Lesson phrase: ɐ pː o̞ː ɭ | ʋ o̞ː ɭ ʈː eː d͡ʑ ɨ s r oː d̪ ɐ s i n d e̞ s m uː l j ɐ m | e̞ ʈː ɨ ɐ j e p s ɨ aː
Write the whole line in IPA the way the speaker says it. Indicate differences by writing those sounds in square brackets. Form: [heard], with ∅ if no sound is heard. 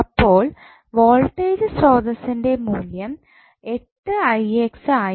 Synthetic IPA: ɐ pː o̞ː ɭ | ʋ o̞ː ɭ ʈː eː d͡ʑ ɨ s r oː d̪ ɐ s i n d e̞ [∅] m uː l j ɐ m | e̞ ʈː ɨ ɐ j e [k] s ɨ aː